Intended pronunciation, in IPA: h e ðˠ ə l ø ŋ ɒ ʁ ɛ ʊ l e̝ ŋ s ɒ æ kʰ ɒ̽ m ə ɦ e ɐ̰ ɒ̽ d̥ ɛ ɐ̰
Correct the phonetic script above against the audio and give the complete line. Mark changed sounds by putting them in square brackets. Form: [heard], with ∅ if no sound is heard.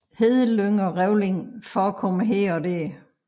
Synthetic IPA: h e ðˠ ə l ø ŋ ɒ ʁ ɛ ʊ l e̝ ŋ [f] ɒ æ kʰ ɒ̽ m ə ɦ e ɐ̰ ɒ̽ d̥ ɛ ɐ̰